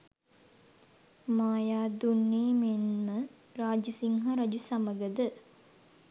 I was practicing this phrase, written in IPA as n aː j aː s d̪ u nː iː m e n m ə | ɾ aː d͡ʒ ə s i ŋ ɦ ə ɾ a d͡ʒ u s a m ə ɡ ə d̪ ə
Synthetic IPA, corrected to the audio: m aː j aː d̪ u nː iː m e n m ə | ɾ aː d͡ʒ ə s i ŋ ɦ a ɾ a d͡ʒ u s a m ə ɡ ə d̪ ə